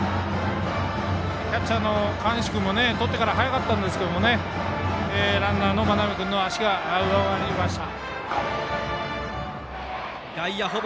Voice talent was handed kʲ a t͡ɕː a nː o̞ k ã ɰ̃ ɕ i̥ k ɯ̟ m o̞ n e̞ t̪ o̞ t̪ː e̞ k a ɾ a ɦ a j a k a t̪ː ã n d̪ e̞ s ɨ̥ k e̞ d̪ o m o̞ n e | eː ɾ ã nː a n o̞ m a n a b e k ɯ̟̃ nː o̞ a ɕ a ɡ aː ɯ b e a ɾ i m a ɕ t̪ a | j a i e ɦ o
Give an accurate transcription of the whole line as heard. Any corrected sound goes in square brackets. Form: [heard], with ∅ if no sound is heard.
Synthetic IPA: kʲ a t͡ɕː a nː o̞ k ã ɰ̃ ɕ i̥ k ɯ̟ m o̞ n e̞ t̪ o̞ t̪ː e̞ k a ɾ a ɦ a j a k a t̪ː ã n d̪ e̞ s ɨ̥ k e̞ d̪ o m o̞ n e | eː ɾ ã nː a n o̞ m a n a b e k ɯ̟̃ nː o̞ a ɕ [i] ɡ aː ɯ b [a] a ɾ i m a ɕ t̪ a | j a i [a] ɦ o